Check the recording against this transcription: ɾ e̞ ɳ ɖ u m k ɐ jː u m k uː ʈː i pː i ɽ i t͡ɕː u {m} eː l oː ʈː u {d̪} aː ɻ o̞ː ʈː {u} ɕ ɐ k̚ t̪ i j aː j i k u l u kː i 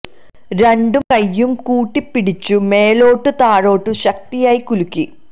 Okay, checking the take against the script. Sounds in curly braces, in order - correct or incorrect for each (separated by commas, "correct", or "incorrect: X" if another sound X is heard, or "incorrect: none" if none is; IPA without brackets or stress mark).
correct, incorrect: t̪, correct